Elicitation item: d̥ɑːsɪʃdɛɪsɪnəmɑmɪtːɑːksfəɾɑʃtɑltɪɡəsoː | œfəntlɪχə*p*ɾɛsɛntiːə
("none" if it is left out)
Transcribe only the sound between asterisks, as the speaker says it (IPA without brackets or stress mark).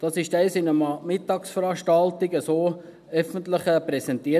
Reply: p